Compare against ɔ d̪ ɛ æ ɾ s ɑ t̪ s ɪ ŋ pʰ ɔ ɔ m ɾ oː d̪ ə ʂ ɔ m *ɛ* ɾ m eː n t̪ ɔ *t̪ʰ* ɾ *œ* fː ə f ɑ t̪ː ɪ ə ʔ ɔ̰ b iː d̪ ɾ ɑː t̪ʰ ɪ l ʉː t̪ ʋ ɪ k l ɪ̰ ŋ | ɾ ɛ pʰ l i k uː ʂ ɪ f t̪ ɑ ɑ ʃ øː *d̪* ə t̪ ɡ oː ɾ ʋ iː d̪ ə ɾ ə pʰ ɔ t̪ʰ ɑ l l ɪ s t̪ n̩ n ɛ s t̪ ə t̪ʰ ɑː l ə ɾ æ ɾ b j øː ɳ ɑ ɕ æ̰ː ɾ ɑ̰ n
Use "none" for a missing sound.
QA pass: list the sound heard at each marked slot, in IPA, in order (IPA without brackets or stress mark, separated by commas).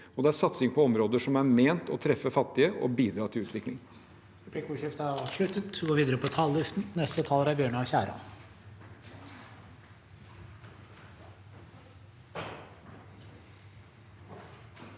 æ, t̪ʰ, ɛ, t̪